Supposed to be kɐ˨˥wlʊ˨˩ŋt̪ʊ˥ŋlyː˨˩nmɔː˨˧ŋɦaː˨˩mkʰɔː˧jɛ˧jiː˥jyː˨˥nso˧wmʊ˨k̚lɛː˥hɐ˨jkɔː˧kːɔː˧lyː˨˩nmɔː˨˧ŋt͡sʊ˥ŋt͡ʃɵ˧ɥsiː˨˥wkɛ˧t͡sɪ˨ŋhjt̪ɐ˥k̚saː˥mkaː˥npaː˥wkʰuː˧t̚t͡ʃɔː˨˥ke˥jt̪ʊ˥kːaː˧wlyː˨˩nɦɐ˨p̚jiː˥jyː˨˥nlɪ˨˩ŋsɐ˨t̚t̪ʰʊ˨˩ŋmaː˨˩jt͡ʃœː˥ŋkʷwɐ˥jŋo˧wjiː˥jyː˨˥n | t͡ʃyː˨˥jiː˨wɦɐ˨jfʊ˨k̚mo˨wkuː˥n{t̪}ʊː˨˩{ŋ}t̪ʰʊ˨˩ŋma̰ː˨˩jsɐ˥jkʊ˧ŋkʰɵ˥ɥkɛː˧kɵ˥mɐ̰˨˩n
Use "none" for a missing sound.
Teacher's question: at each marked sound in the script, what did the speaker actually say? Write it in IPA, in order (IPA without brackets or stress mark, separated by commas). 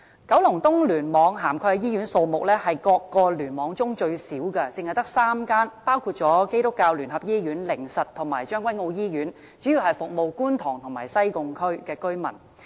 t̪ʰ, ŋ